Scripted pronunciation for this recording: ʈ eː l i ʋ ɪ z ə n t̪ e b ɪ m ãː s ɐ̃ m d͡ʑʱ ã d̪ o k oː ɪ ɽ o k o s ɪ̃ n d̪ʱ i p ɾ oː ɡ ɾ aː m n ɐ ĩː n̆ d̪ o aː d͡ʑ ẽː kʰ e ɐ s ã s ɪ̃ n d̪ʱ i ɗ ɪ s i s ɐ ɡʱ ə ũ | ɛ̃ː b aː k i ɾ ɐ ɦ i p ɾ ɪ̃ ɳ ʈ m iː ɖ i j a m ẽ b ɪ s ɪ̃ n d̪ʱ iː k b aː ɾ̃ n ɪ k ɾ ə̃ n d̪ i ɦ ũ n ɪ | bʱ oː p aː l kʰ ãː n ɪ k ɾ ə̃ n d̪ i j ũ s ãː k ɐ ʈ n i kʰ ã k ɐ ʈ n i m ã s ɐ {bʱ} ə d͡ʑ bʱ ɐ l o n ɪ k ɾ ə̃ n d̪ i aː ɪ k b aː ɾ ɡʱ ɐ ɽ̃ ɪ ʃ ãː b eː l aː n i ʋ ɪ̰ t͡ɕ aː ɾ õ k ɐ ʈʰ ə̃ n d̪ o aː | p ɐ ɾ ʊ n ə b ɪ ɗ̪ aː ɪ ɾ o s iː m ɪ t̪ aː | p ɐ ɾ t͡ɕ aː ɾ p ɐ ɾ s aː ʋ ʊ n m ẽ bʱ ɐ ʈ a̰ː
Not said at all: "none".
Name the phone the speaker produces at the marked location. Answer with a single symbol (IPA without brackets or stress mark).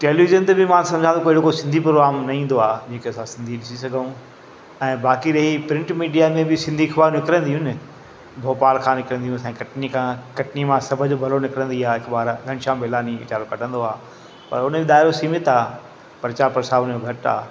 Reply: bʱ